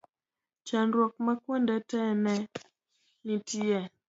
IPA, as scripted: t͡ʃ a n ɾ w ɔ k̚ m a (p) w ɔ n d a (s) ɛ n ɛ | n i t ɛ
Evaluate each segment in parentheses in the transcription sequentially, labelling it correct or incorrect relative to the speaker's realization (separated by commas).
incorrect, incorrect